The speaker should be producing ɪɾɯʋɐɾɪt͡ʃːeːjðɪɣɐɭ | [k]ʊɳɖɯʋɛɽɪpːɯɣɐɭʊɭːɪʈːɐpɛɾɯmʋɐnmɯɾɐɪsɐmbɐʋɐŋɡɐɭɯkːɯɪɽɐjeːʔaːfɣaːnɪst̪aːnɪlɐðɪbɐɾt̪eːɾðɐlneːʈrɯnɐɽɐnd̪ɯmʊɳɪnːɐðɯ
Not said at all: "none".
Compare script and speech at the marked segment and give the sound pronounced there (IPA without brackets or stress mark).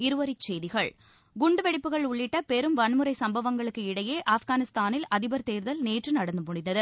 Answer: ɡ